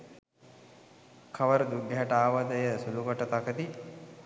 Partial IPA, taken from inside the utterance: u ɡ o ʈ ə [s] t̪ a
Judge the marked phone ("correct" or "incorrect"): incorrect